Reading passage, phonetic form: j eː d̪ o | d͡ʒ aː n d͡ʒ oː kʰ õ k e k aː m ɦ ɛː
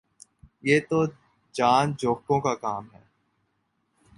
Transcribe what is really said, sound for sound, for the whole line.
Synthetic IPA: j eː t̪ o | d͡ʒ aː n d͡ʒ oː k õ k a k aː m ɦ ɛː